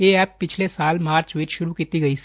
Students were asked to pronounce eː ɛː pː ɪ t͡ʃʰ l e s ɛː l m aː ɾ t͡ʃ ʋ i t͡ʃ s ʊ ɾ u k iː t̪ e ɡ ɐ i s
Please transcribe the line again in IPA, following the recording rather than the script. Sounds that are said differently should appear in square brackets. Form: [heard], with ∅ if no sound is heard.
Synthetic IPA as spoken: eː ɛː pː ɪ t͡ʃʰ l e s [aː] l m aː ɾ t͡ʃ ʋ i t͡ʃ [ʃ] ʊ ɾ u k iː t̪ [i] ɡ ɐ i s